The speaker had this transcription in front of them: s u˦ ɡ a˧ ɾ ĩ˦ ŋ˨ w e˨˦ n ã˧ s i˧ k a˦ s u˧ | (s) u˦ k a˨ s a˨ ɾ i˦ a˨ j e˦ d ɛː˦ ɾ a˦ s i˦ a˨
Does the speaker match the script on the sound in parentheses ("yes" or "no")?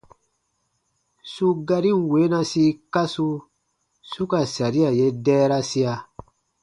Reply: yes